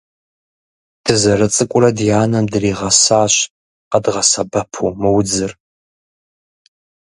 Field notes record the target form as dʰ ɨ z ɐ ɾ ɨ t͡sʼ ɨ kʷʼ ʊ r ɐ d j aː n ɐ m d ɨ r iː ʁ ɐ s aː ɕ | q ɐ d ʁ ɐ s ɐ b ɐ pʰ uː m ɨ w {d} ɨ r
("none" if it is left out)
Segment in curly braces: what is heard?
d͡z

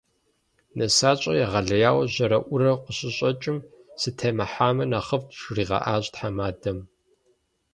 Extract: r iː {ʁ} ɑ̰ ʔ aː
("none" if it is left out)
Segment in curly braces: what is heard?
ʁ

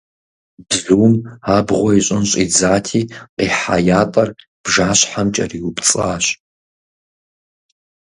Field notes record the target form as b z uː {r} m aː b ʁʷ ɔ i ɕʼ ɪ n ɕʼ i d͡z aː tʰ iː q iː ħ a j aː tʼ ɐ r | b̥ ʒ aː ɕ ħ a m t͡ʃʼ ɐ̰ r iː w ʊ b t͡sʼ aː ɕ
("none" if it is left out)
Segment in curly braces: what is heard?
none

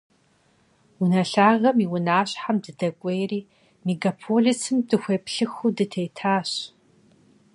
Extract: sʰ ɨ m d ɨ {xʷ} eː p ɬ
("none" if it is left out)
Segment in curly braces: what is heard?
xʷ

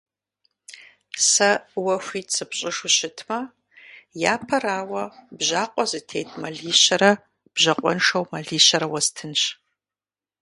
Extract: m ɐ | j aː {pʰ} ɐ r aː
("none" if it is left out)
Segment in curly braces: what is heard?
pʰ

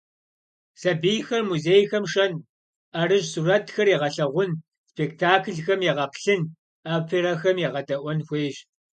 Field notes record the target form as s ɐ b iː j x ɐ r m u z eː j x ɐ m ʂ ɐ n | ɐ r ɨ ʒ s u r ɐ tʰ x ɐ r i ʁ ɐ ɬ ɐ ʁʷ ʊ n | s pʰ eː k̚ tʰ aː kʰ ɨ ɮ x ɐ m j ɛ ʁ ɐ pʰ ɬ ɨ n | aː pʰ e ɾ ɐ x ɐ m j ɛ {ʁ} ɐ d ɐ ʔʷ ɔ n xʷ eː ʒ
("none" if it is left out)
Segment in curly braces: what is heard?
ʁ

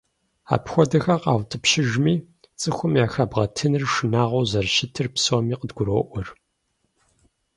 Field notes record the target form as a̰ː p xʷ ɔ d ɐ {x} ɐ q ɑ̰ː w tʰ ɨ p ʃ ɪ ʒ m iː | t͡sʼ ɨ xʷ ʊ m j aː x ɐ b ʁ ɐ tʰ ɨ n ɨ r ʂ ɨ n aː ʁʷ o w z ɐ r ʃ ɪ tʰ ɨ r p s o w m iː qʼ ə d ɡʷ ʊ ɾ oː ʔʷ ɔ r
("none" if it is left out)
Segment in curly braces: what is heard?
x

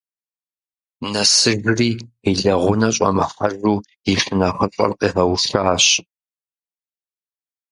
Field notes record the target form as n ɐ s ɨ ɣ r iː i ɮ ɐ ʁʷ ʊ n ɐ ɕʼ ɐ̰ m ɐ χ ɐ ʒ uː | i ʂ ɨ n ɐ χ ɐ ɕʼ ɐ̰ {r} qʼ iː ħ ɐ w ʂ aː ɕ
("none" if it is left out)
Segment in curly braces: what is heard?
r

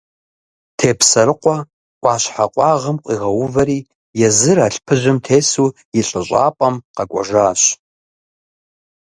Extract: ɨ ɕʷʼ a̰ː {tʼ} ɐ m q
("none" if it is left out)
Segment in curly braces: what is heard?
pʼ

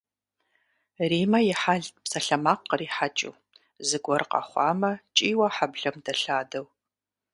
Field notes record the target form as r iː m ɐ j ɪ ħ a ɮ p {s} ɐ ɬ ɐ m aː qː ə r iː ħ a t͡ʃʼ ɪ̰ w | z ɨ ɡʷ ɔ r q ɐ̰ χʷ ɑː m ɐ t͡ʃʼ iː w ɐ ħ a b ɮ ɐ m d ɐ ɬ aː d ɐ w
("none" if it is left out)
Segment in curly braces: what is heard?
s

